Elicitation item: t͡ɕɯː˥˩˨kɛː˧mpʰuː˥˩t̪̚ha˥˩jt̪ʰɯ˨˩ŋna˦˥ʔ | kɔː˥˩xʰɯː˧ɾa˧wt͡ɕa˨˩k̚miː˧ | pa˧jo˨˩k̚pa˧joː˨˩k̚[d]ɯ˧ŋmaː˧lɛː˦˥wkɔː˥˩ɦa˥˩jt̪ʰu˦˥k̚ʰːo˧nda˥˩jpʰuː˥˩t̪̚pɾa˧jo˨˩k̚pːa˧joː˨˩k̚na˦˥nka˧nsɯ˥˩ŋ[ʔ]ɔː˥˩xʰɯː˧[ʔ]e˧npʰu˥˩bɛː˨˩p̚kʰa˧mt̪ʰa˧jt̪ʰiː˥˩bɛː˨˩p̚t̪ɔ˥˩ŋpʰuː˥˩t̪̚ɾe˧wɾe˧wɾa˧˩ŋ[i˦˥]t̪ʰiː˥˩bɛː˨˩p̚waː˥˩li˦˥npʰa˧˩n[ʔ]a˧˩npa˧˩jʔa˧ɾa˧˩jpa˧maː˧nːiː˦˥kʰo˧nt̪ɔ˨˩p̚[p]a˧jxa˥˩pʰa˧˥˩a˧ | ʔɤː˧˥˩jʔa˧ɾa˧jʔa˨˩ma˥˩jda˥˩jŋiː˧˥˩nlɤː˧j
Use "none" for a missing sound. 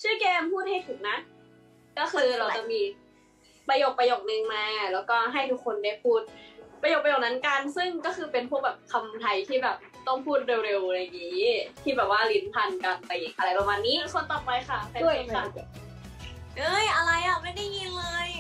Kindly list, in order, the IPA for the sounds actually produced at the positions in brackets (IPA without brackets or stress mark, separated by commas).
n, k, p, iː˦˥, k, p